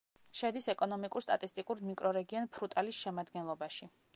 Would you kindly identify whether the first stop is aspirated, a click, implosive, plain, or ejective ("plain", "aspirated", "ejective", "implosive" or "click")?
plain